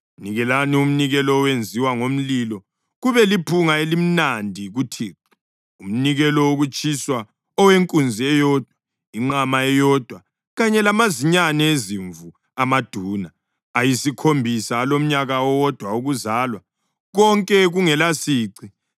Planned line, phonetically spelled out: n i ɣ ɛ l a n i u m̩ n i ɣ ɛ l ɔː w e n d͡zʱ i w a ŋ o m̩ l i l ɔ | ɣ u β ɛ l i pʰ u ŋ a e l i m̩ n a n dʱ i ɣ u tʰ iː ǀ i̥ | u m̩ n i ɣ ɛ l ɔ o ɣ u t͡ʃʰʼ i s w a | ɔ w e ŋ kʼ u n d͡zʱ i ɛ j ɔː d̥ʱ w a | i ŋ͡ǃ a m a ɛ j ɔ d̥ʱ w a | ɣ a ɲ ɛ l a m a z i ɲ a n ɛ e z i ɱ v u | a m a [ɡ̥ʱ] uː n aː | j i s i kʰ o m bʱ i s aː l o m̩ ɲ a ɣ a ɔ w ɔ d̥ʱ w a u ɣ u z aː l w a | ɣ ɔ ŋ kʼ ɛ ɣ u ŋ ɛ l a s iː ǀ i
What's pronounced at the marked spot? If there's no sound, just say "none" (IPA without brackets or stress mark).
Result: d̥ʱ